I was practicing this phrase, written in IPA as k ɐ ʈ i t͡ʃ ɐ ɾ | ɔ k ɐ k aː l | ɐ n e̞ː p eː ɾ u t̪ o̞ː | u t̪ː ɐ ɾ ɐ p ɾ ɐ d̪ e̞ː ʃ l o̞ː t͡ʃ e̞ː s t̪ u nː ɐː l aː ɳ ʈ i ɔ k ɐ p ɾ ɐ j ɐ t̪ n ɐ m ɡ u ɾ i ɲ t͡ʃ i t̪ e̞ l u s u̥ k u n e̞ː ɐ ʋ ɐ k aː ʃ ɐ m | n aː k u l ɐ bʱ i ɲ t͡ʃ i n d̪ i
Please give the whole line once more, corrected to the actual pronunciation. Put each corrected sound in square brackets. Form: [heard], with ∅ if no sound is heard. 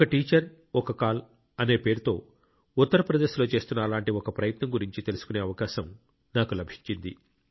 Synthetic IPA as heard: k ɐ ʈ [iː] t͡ʃ ɐ ɾ | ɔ k ɐ k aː l | ɐ n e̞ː p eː ɾ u t̪ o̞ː | u t̪ː ɐ ɾ ɐ p ɾ ɐ d̪ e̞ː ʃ l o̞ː t͡ʃ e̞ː s t̪ u nː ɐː l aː ɳ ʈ i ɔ k ɐ p ɾ ɐ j ɐ t̪ n ɐ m ɡ u ɾ i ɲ t͡ʃ i t̪ e̞ l u s u̥ k u n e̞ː ɐ ʋ ɐ k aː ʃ ɐ m | n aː k u l ɐ bʱ i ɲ t͡ʃ i n d̪ i

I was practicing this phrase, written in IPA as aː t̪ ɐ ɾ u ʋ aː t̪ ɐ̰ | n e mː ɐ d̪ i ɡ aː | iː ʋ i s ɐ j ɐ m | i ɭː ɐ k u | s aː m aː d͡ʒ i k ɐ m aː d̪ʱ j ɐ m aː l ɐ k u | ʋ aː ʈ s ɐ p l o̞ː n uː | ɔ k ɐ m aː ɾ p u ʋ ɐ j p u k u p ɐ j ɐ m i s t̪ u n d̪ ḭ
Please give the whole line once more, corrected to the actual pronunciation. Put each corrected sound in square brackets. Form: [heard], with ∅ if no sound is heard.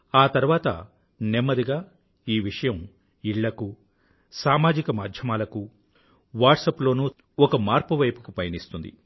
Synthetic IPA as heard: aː t̪ ɐ ɾ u ʋ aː t̪ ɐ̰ | n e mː ɐ d̪ i ɡ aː | iː ʋ i [ʂ] ɐ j ɐ m | i ɭː ɐ k u | s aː m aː d͡ʒ i k ɐ m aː d̪ʱ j ɐ m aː l ɐ k u | ʋ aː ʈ s ɐ p l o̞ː n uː | ɔ k ɐ m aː ɾ p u ʋ ɐ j p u k u p ɐ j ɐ [n] i s t̪ u n d̪ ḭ

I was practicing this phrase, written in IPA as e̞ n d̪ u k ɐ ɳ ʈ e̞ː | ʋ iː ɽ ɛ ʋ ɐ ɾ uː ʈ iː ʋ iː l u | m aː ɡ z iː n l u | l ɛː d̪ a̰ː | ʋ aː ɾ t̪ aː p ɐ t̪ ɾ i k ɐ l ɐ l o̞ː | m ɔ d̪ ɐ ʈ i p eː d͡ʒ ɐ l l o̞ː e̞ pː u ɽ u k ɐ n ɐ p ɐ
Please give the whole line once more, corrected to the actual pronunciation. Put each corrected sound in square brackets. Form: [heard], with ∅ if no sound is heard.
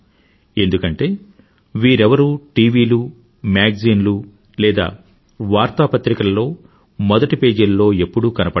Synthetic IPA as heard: e̞ n d̪ u k ɐ ɳ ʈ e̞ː | ʋ iː [ɾ] ɛ ʋ ɐ ɾ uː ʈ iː ʋ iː l u | m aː ɡ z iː n l u | l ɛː d̪ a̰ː | ʋ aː ɾ t̪ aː p ɐ t̪ ɾ i k ɐ l ɐ l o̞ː | m ɔ d̪ ɐ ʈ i p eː d͡ʒ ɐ l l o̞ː e̞ pː u ɽ u k ɐ n ɐ p ɐ

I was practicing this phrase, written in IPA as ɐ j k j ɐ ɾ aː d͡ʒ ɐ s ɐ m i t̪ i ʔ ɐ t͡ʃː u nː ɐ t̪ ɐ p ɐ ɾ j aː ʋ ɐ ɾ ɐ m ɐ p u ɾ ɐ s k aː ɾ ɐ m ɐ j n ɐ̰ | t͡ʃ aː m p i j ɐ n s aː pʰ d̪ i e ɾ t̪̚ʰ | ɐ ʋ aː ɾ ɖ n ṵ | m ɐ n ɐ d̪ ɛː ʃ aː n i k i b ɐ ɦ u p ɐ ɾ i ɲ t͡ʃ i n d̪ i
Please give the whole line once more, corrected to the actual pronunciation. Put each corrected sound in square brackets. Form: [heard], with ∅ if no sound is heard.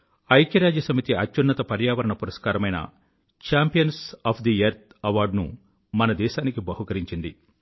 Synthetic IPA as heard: ɐ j k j ɐ ɾ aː d͡ʒ ɐ s ɐ m i t̪ i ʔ ɐ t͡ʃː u nː ɐ t̪ ɐ p ɐ ɾ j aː ʋ ɐ ɾ ɐ [ɳ] ɐ p u ɾ ɐ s k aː ɾ ɐ m ɐ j n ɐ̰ | t͡ʃ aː m p i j ɐ n s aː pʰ d̪ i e ɾ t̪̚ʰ | ɐ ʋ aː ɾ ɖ n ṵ | m ɐ n ɐ d̪ ɛː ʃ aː n i k i b ɐ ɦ u [k] ɐ ɾ i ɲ t͡ʃ i n d̪ i

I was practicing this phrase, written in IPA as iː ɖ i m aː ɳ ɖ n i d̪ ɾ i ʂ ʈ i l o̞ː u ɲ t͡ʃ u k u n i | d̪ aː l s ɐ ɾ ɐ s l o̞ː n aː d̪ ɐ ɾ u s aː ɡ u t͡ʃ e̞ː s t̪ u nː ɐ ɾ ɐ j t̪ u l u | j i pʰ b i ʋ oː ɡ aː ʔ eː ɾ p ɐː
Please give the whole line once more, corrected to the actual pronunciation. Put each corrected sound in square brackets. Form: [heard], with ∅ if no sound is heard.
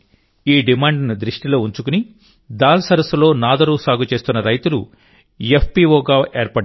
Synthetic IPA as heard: iː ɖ i m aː ɳ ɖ n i d̪ ɾ i ʂ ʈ i l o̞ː u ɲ t͡ʃ u k u n i | d̪ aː l s ɐ ɾ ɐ s l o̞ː n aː d̪ ɐ ɾ u s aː ɡ u t͡ʃ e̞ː s t̪ u nː ɐ ɾ ɐ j t̪ u l u | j [e] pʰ [p] i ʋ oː ɡ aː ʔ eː ɾ p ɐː

